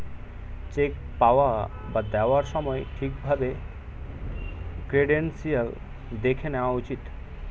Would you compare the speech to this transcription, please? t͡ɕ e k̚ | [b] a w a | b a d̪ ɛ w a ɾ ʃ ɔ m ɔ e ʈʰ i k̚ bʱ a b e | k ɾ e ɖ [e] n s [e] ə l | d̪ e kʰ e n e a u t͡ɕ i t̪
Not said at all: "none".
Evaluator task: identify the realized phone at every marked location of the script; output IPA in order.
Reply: p, e, i

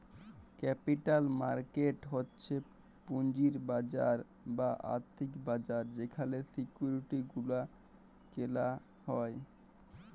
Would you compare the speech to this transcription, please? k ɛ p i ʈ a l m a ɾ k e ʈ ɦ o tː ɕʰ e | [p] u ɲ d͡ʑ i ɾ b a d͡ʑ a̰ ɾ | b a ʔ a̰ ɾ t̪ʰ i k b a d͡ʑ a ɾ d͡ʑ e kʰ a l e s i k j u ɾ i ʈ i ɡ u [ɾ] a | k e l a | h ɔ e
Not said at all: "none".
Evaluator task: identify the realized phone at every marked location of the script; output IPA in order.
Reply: p, l

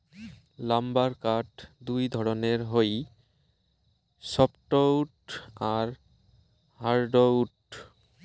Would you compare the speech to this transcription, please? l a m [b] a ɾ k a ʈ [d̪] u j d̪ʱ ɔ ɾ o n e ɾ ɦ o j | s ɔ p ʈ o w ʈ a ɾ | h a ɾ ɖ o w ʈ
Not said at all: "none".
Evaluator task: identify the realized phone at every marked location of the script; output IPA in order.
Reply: b, d̪

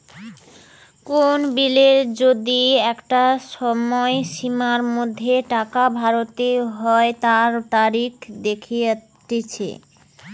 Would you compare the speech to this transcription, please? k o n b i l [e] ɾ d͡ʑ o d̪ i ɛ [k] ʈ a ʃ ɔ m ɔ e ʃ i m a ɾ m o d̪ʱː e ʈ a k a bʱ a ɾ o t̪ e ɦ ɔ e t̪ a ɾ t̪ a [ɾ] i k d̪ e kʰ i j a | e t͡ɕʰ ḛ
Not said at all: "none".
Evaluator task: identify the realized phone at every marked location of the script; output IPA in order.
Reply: e, k, ɾ

